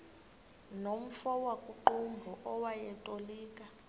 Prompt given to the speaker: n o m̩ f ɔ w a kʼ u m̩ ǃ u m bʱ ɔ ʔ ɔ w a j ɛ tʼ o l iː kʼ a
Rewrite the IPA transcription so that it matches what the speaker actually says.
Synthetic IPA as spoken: n o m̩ f ɔ w a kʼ u ǃ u m bʱ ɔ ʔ ɔ w a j ɛ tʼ o l iː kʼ a